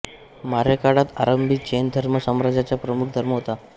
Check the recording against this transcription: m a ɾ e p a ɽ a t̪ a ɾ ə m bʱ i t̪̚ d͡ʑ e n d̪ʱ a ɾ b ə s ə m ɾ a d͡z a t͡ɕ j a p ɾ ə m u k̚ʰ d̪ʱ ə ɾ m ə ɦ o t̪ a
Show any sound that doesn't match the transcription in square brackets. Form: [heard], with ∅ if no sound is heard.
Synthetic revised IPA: m a ɾ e [k] a ɽ a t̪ a ɾ ə m bʱ i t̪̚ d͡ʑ e n d̪ʱ [ə] ɾ [m] ə s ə m ɾ a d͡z a t͡ɕ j a p ɾ ə m u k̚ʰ d̪ʱ ə ɾ m ə ɦ o t̪ a